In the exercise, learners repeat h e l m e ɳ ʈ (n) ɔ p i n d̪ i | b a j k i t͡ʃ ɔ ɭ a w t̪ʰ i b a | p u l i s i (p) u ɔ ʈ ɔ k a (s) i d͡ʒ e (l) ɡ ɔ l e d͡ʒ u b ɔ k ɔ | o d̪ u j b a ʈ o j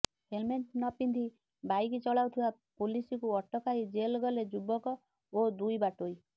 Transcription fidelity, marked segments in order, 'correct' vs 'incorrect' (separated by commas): correct, incorrect, incorrect, correct